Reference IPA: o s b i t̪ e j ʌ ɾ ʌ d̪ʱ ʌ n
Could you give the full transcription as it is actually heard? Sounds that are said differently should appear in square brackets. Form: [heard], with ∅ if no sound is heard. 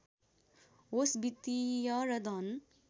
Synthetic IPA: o s b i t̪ [i] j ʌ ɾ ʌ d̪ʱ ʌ n